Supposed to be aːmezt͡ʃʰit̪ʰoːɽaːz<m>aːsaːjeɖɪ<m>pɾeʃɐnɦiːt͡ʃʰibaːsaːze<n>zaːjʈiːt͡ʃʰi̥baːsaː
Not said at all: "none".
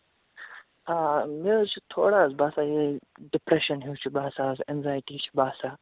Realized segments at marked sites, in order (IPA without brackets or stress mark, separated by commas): b, none, n